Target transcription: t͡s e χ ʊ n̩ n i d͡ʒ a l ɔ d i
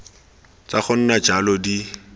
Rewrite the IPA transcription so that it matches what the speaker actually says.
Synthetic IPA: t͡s a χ ʊ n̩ n a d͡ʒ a l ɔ d i

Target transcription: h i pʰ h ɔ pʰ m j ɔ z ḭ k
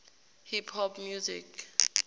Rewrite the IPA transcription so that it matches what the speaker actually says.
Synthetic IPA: h i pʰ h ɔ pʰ m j u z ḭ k

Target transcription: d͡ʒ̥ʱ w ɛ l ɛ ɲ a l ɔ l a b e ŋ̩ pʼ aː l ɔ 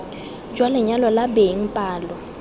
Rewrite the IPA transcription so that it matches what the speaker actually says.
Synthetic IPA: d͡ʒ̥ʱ w a l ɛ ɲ a l ɔ l a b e ŋ̩ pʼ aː l ɔ

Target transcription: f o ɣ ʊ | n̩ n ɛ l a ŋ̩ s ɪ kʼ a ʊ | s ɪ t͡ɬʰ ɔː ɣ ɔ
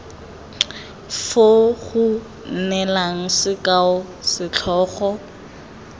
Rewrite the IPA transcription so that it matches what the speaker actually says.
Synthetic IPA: f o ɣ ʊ | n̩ n ɛ l a ŋ̩ s ɪ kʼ a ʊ | s ɪ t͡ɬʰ ɔː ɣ ɔ

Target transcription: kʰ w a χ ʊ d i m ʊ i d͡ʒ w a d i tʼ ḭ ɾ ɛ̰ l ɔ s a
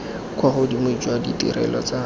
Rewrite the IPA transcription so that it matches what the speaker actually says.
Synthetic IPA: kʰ w a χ ʊ d i m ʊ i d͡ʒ w a d i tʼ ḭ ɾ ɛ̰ l ɔ t͡s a

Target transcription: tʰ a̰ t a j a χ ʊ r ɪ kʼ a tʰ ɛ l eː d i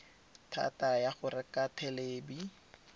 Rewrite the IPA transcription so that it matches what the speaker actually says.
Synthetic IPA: tʰ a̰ t a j a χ ʊ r ɪ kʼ a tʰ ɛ l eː b i

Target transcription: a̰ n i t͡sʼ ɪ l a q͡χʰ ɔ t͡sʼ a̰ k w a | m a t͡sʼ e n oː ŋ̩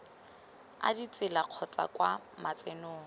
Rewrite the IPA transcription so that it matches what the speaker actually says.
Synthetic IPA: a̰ d i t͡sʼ ɪ l a q͡χʰ ɔ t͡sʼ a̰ k w a | m a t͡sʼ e n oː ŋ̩

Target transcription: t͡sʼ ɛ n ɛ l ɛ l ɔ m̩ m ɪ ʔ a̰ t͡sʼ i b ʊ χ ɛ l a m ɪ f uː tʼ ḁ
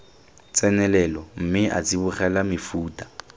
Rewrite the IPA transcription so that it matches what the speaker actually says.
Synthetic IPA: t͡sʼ ɛ n ɛ l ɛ l ɔ m̩ m ɪ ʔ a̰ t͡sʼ i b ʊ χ ɛ l a m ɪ f uː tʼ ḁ

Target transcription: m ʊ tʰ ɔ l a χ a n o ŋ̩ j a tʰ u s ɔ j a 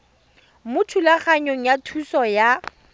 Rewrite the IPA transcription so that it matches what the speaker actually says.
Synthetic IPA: m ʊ tʰ u l a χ a ɲ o ŋ̩ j a tʰ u s ɔ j a

